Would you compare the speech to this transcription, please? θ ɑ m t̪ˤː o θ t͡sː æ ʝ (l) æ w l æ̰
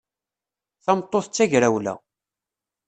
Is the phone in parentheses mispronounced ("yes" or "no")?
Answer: yes